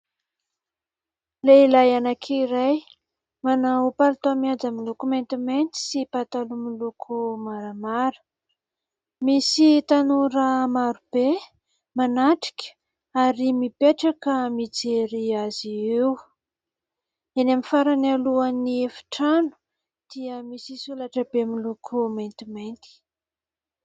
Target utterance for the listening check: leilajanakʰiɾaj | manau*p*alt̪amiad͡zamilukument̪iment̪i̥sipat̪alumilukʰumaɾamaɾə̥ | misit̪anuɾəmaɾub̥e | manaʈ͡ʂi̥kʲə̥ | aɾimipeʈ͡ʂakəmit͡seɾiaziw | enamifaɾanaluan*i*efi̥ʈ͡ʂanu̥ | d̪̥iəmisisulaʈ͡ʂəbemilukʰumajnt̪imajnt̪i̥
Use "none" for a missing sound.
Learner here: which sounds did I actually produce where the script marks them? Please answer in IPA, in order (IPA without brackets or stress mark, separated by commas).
p, i